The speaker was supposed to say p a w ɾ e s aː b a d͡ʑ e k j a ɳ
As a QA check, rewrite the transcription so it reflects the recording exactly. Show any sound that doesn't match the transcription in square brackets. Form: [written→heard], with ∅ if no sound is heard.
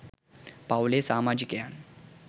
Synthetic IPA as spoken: p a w [ɾ→l] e s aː [b→m] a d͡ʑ [e→i] k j a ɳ